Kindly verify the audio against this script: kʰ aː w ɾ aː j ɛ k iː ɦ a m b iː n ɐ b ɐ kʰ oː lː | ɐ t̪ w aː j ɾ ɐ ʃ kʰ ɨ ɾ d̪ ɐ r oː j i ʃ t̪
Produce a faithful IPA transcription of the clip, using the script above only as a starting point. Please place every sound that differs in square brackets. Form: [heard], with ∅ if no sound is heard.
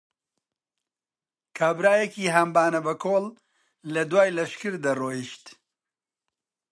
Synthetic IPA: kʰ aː [b] ɾ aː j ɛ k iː ɦ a m b [aː] n ɐ b ɐ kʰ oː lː | ɐ [d̪] w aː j [l] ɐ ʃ [k] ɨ ɾ d̪ ɐ r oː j i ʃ t̪